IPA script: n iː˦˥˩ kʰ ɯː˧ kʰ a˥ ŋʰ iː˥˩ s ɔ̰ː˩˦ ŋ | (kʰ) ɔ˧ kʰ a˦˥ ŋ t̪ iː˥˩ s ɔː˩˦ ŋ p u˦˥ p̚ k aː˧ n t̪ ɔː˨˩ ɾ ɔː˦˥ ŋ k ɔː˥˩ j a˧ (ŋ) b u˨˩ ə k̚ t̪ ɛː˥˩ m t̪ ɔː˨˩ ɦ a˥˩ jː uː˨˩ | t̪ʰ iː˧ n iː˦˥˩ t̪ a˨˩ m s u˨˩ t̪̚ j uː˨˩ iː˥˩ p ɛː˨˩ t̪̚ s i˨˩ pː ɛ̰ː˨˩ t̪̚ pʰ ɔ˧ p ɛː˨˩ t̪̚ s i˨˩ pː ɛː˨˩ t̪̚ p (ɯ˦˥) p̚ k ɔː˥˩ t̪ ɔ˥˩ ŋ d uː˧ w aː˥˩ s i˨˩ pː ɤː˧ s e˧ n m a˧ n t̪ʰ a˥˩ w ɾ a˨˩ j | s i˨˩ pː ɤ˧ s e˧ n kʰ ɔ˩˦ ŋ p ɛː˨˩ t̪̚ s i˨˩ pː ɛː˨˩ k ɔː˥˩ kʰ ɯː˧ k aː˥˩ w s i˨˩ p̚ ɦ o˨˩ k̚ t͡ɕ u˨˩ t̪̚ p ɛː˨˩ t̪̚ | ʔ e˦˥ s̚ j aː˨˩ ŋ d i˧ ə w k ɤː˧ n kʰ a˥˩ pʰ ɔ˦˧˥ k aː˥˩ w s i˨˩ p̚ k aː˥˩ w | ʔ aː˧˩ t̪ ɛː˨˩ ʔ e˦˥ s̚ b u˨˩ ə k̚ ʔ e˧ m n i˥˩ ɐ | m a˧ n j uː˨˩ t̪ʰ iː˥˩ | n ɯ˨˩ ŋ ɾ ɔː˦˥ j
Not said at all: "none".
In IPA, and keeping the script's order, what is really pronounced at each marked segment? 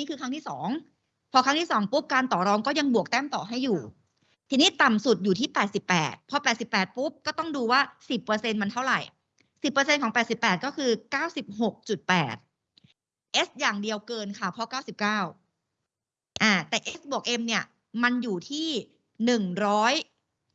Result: pʰ, ŋ, u˦˥

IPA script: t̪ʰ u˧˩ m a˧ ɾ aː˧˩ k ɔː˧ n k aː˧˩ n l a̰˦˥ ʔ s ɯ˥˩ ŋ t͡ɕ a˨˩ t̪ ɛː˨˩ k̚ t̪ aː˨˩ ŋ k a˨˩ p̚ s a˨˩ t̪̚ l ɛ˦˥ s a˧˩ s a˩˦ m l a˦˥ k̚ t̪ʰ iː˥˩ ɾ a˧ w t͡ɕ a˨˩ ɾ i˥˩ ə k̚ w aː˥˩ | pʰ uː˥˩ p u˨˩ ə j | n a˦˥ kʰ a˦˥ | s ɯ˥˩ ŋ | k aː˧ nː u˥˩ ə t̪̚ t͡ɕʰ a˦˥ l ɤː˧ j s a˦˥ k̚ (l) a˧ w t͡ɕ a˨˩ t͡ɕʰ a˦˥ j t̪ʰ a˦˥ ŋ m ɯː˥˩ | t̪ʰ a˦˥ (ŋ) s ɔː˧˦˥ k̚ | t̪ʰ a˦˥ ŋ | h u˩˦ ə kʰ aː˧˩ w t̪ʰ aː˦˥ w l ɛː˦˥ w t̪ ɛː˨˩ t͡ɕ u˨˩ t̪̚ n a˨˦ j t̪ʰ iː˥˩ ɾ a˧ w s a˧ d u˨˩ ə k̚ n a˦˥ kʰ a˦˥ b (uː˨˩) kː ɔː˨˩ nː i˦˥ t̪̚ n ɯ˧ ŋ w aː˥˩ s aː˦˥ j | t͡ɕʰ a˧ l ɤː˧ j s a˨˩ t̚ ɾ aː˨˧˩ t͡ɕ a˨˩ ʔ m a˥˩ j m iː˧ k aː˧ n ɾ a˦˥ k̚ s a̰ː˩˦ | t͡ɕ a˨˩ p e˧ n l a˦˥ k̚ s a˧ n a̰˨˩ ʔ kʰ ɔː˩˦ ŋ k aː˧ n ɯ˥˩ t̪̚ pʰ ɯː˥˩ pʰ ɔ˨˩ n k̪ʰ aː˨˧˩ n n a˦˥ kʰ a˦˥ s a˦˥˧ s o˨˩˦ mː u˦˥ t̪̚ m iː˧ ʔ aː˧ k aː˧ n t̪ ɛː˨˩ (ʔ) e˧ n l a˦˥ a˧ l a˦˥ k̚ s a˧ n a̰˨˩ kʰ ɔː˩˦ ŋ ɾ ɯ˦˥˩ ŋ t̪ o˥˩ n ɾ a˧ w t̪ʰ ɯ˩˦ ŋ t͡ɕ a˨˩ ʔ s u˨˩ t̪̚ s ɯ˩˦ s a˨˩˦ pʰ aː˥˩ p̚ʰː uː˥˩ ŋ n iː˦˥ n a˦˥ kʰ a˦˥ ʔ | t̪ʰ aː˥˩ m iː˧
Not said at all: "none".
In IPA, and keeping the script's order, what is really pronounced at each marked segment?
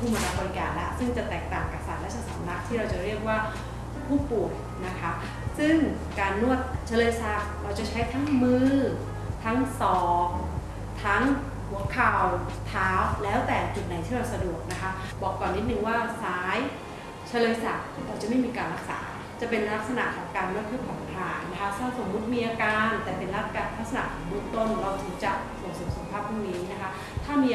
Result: ɾ, ŋ, ɔː˨˩, p

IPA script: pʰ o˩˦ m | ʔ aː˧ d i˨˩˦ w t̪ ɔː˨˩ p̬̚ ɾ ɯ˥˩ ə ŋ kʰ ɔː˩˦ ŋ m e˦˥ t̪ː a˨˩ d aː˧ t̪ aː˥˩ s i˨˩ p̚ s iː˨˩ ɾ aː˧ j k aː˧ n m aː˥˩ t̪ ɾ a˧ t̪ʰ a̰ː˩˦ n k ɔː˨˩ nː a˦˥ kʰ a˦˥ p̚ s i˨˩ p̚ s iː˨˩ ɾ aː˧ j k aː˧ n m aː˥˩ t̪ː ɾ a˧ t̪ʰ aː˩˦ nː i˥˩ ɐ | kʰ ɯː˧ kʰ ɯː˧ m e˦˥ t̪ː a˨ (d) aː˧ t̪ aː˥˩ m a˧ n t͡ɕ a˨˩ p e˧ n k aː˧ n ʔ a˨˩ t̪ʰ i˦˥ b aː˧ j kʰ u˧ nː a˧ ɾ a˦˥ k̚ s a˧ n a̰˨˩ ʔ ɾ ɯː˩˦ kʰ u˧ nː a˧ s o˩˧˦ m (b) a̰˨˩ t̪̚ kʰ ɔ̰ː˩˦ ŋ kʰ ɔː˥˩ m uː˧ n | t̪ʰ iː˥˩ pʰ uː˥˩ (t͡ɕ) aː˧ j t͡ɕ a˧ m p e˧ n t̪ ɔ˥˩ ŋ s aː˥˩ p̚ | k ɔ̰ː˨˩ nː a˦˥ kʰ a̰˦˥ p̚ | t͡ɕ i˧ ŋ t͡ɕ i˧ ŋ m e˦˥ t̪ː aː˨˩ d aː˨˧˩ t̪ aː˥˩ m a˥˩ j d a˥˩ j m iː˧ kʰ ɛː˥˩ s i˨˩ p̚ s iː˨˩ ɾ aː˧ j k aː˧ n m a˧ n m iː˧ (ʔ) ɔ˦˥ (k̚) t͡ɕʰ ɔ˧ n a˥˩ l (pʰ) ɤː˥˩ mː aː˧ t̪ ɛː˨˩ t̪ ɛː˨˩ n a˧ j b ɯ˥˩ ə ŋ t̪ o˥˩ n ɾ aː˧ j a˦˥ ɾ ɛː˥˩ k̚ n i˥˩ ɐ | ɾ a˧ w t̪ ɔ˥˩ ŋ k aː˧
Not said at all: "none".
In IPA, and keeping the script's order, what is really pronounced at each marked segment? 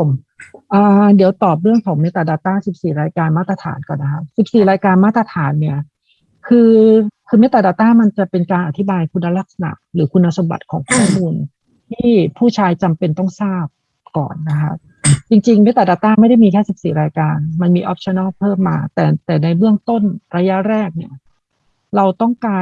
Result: d, b, t͡ɕʰ, ʔ, p̚, pʰ

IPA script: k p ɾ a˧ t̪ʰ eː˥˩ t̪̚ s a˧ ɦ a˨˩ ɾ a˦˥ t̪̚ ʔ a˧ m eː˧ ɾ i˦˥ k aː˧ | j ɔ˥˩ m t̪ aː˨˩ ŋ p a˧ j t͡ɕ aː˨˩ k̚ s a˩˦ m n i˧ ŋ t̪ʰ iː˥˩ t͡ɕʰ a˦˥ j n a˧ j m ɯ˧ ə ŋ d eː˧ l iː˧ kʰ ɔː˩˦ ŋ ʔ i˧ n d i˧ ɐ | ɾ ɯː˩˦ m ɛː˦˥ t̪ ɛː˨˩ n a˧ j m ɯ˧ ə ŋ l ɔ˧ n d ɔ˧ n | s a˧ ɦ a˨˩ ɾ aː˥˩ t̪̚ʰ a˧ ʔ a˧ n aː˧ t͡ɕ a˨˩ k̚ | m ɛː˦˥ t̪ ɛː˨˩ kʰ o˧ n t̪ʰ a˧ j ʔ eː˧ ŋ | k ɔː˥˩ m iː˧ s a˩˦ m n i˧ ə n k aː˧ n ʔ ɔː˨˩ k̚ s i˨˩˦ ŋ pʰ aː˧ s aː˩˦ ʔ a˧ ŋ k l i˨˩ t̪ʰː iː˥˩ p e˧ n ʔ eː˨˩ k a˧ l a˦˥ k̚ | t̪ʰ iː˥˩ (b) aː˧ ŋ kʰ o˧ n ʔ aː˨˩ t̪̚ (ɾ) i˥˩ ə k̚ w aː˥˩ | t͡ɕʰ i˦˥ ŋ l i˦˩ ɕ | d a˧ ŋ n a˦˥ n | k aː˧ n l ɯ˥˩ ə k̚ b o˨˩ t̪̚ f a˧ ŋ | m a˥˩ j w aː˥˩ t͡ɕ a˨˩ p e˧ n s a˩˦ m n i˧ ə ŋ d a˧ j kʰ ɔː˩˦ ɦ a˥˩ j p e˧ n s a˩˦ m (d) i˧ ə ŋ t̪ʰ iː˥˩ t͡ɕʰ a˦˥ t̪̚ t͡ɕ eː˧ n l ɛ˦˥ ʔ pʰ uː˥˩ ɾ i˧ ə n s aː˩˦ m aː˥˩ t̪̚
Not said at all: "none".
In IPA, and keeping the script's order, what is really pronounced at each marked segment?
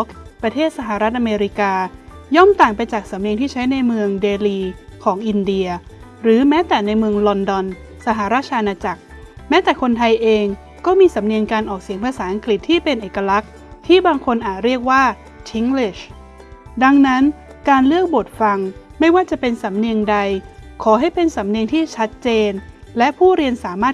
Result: b, ɾ, n

